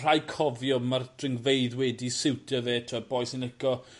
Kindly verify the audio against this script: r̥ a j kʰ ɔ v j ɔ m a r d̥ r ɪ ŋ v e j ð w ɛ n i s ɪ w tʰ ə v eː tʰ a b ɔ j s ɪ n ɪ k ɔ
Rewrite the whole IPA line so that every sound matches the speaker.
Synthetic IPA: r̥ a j kʰ ɔ v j ɔ m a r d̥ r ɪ ŋ v e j ð w ɛ d i s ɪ w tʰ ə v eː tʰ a b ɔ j s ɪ n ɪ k ɔ

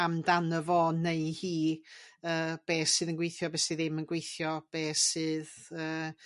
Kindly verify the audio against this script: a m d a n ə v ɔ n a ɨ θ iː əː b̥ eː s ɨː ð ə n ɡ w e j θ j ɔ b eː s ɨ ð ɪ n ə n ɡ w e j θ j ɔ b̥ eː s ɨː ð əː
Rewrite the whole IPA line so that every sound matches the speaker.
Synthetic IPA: a m d a n ə v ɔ n e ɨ h iː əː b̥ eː s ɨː ð ə n ɡ w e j θ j ɔ b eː s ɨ ð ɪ m ə n ɡ w e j θ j ɔ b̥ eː s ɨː ð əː

